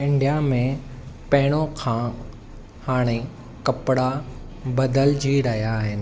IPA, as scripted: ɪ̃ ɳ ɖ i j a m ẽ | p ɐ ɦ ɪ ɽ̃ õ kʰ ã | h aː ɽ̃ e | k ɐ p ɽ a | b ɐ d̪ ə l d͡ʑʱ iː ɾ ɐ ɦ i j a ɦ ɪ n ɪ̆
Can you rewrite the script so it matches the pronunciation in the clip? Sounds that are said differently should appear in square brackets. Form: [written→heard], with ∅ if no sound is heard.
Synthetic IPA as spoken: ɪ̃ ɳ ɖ i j a m ẽ | p ɐ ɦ ɪ ɽ̃ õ kʰ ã | h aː ɽ̃ e | k ɐ p ɽ a | b ɐ d̪ ə l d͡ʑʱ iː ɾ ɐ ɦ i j a ɦ ɪ n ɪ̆